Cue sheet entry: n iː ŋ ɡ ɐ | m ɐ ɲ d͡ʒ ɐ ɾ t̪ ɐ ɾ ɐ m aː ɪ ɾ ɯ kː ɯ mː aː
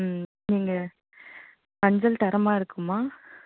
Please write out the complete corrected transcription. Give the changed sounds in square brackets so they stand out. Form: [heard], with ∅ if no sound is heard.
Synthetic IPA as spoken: n iː ŋ ɡ ɐ | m ɐ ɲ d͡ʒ ɐ [l] t̪ ɐ ɾ ɐ m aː ɪ ɾ ɯ kː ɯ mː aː